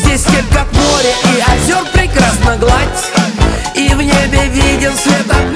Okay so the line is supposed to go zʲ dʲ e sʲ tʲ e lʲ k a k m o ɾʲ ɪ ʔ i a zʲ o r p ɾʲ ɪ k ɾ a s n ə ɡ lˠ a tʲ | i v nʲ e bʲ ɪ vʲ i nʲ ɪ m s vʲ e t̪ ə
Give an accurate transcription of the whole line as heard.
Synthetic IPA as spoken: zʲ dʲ e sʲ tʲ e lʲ k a k m o ɾʲ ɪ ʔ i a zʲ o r p ɾʲ ɪ k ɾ a s n ə ɡ lˠ a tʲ | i v nʲ e bʲ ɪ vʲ i dʲ ɪ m s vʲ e t̪ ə